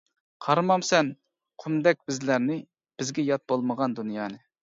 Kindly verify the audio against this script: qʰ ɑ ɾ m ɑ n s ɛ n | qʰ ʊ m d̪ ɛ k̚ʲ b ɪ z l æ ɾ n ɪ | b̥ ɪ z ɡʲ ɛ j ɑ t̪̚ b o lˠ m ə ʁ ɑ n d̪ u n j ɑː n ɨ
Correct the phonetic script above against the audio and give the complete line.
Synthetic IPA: qʰ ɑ ɾ m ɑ m s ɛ n | qʰ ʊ m d̪ ɛ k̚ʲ b ɪ z l æ ɾ n ɪ | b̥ ɪ z ɡʲ ɛ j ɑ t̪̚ b o lˠ m ə ʁ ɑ n d̪ u n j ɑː n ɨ